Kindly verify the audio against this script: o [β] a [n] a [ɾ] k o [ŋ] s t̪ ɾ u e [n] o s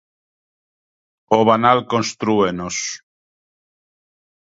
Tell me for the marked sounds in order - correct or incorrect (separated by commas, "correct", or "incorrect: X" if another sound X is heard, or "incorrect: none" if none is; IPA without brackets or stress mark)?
correct, correct, incorrect: l, incorrect: n, correct